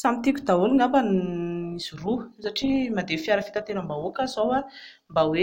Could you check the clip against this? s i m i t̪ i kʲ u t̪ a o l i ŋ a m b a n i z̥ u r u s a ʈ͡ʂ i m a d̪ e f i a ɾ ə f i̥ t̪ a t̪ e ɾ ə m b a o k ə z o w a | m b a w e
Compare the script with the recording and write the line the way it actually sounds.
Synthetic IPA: s a m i t̪ i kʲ u d̪ a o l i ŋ a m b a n i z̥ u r u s a ʈ͡ʂ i m a d̪ e f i a ɾ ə f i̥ t̪ a t̪ e ɾ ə m b a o k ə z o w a | m b a w e